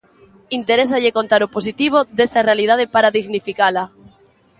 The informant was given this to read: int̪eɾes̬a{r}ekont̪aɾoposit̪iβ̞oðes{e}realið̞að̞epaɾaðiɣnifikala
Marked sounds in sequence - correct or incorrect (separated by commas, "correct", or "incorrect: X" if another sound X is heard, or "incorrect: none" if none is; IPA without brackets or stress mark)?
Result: incorrect: ʎ, incorrect: a